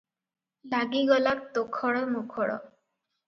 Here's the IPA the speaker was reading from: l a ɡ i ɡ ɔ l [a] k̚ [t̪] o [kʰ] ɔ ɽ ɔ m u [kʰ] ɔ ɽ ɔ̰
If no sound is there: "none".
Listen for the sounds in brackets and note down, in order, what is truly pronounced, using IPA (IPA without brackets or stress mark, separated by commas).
a, t̪, kʰ, kʰ